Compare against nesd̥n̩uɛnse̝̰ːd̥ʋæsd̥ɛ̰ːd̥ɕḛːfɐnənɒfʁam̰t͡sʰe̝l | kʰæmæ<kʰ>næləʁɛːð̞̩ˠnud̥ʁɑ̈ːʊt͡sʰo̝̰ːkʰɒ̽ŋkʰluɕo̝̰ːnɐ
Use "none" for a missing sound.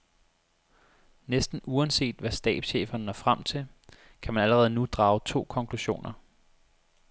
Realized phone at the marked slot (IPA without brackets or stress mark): none